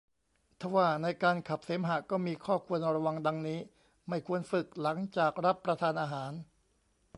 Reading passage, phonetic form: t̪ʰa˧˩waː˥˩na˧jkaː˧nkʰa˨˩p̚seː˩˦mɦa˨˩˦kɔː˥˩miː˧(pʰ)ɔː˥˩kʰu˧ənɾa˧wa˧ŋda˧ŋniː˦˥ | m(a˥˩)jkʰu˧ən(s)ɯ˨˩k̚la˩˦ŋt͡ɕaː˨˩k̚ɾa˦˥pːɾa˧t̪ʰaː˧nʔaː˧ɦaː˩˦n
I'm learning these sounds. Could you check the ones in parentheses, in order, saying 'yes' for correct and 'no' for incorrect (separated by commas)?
no, yes, no